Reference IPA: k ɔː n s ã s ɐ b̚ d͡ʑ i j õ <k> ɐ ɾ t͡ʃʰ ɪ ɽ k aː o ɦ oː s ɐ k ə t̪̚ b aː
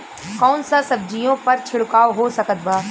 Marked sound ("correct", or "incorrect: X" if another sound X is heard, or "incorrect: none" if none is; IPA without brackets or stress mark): incorrect: p